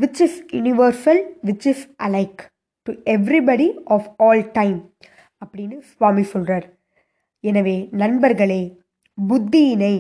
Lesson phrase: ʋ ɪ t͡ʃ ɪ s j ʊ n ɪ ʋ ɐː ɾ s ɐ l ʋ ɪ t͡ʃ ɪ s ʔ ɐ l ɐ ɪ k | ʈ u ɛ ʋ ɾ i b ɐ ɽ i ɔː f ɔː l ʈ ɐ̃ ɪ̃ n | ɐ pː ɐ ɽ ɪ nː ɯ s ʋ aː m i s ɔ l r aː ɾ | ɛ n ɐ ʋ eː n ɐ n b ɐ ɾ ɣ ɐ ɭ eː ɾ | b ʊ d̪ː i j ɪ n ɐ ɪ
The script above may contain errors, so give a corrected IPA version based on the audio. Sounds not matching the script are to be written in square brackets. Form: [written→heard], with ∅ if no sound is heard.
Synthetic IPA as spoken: ʋ ɪ t͡ʃ ɪ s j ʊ n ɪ ʋ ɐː ɾ s ɐ l ʋ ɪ t͡ʃ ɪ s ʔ ɐ l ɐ ɪ k | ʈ u ɛ ʋ ɾ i b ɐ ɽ i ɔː f ɔː l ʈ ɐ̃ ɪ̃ [n→m] | ɐ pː ɐ ɽ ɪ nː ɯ s ʋ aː m i s ɔ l r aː ɾ | ɛ n ɐ ʋ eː n ɐ n b ɐ ɾ ɣ ɐ ɭ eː [ɾ→∅] | b ʊ d̪ː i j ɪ n ɐ ɪ